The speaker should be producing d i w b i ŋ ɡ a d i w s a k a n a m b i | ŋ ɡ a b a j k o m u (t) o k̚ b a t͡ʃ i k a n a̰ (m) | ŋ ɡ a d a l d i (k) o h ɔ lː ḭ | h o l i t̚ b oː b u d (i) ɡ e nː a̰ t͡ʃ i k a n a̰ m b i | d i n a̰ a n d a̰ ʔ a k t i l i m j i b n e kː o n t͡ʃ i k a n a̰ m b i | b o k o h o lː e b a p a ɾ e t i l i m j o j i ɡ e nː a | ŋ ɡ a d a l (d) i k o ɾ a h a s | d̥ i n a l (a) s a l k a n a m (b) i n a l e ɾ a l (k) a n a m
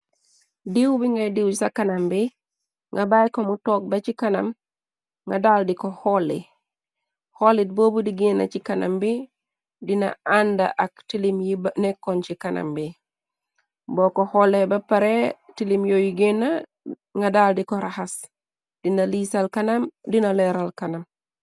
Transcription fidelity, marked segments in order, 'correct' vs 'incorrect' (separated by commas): correct, correct, correct, correct, correct, incorrect, incorrect, correct